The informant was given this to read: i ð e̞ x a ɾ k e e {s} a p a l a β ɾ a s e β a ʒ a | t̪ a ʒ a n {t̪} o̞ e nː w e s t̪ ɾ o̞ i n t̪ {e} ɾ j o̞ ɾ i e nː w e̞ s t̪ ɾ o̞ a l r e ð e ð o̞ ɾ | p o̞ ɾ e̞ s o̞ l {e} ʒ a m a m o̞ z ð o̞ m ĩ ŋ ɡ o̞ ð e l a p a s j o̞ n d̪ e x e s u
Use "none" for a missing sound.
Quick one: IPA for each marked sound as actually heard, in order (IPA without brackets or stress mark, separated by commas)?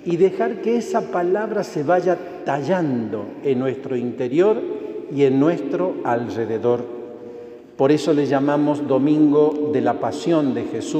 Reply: s, d̪, e, e